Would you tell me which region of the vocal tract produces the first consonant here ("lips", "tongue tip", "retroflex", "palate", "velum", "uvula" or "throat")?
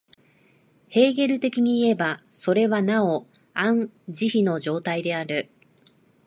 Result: throat